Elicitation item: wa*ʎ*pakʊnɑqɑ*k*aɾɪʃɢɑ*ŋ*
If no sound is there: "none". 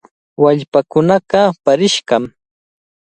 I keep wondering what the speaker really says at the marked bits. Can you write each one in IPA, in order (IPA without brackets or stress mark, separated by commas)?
ʎ, p, m